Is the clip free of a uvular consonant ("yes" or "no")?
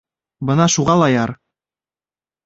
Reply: no